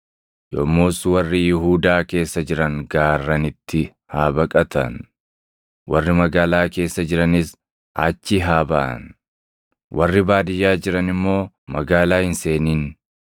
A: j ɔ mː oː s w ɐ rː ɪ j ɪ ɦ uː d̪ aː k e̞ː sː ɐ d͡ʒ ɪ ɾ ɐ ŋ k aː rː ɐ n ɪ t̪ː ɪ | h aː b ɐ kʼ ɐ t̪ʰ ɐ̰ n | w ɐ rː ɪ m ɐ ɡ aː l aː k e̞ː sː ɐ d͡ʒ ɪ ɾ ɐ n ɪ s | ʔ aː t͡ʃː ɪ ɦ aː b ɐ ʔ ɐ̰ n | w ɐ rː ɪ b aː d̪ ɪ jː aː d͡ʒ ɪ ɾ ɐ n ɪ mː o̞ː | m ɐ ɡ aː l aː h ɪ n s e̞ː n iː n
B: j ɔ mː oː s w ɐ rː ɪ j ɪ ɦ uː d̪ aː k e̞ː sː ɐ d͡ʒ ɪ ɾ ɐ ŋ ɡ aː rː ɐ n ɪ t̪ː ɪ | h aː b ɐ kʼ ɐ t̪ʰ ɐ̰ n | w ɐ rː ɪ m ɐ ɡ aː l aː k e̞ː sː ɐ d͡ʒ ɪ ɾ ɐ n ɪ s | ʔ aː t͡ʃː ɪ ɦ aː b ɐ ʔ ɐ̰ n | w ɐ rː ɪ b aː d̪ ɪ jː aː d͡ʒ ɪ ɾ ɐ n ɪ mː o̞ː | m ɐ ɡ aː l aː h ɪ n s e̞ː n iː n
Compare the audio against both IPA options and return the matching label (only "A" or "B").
B